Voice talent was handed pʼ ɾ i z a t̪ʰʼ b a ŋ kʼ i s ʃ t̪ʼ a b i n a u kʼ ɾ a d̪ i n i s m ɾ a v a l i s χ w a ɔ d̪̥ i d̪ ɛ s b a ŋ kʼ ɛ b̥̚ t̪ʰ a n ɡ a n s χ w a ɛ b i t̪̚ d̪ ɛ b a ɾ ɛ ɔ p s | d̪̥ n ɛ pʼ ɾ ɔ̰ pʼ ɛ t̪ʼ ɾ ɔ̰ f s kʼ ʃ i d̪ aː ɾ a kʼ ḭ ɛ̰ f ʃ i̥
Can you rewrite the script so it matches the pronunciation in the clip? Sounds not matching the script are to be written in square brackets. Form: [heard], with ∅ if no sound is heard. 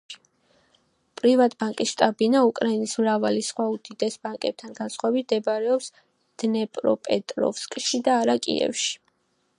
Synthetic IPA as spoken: pʼ ɾ i [v] a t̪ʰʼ b a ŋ kʼ i s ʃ t̪ʼ a b i n a u kʼ ɾ a [∅] i n i s m ɾ a v a l i s χ w a [u] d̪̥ i d̪ ɛ s b a ŋ kʼ ɛ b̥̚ t̪ʰ a n ɡ a n s χ w a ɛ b i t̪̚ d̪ ɛ b a ɾ ɛ ɔ p s | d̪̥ n ɛ pʼ ɾ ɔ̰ pʼ ɛ t̪ʼ ɾ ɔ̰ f s kʼ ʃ i d̪ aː ɾ a kʼ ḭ ɛ̰ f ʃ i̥